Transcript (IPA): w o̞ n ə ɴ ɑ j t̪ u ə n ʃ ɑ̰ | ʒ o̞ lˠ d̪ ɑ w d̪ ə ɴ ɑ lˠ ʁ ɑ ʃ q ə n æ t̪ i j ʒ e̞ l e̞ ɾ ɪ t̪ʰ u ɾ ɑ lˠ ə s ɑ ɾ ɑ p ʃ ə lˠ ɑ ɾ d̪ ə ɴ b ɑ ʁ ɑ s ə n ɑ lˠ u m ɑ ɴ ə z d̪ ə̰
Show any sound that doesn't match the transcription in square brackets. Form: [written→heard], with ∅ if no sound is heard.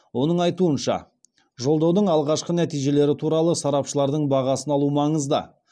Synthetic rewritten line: w o̞ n ə ɴ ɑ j t̪ u ə n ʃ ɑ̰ | ʒ o̞ lˠ d̪ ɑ w d̪ ə ɴ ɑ lˠ ʁ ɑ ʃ q ə n æ t̪ i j ʒ e̞ l e̞ ɾ ɪ t̪ʰ u ɾ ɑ lˠ ə s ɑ ɾ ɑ p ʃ ə lˠ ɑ ɾ d̪ ə ɴ b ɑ ʁ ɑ s ə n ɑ lˠ u m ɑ ɴ ə z d̪ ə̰